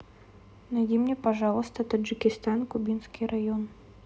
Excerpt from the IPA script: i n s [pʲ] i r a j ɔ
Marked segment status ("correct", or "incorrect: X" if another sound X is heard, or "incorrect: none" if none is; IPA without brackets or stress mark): incorrect: kʲ